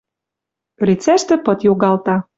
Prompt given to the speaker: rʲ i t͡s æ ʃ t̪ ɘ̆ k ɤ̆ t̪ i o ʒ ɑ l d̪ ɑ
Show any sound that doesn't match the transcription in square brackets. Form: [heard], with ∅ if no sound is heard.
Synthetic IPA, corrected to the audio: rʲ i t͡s æ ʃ t̪ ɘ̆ [p] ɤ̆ t̪ [j] o [ɣ] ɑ l [t̪] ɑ